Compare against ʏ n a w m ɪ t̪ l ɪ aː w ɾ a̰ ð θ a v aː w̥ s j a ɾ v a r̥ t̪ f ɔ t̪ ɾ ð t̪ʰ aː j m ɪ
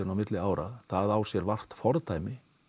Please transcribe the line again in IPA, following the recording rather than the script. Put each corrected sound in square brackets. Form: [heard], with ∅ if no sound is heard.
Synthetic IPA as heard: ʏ n a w m ɪ t̪ l ɪ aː w ɾ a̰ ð θ a [ð] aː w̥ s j [ɛ] ɾ v a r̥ t̪ f ɔ [∅] ɾ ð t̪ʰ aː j m ɪ